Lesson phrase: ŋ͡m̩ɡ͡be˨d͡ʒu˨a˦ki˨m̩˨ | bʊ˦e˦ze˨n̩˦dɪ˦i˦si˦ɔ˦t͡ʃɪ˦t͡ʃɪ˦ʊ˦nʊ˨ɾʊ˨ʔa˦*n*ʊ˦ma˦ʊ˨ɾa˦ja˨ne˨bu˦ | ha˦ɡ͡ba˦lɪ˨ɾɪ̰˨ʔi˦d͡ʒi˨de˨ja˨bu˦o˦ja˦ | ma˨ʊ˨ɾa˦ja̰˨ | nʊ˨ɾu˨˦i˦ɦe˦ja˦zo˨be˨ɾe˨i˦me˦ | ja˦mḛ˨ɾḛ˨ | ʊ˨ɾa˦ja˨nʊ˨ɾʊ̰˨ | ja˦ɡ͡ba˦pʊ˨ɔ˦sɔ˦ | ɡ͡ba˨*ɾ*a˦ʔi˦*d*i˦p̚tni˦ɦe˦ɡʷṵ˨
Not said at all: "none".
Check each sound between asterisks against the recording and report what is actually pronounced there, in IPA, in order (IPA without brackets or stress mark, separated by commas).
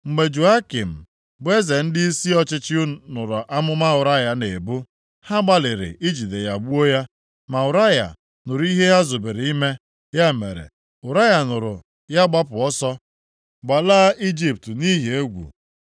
m, l, d͡ʒ